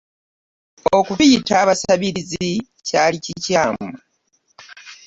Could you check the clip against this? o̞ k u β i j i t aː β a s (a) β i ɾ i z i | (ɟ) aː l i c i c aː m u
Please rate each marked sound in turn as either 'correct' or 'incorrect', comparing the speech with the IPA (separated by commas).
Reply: correct, incorrect